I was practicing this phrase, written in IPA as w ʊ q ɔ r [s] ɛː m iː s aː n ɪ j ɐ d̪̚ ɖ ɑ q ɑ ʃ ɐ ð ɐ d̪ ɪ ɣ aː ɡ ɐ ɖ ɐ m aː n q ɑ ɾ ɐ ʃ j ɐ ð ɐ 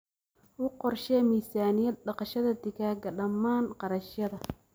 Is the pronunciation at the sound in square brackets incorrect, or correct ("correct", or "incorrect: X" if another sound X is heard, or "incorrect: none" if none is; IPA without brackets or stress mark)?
incorrect: ʃ